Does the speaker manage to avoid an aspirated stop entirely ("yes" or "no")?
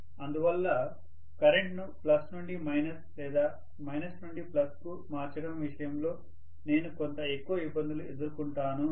yes